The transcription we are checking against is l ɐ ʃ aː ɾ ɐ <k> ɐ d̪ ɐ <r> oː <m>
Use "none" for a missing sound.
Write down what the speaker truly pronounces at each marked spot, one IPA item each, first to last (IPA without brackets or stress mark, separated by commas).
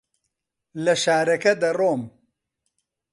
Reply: k, r, m